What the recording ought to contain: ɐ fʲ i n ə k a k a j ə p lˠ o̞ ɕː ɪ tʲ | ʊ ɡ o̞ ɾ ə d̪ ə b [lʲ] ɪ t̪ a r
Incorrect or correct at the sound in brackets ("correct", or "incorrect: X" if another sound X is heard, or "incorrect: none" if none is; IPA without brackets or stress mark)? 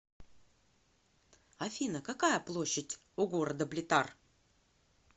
correct